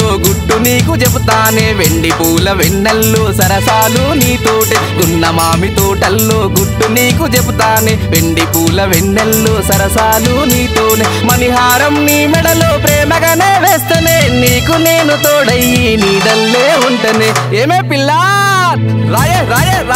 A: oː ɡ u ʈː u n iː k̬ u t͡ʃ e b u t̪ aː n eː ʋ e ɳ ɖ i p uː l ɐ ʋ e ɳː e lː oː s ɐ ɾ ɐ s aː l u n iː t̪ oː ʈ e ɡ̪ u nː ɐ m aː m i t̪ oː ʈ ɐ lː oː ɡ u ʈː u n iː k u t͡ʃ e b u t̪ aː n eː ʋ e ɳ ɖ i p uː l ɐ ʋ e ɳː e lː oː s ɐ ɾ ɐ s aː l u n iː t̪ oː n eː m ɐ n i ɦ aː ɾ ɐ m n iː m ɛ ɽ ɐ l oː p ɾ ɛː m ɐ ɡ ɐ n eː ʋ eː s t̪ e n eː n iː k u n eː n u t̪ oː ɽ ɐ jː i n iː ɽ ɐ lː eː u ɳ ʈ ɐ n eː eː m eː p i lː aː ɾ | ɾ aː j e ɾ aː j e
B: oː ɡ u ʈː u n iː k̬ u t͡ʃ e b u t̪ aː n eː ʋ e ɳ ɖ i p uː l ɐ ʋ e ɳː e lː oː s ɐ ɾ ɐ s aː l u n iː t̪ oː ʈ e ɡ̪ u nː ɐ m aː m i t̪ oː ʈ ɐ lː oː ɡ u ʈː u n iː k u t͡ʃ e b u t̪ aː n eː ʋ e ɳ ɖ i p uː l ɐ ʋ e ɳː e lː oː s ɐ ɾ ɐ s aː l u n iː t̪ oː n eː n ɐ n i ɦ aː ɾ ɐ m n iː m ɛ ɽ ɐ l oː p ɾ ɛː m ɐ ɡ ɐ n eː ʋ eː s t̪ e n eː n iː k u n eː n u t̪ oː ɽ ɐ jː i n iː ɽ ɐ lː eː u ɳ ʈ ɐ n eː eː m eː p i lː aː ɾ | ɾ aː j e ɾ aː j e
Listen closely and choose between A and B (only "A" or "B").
A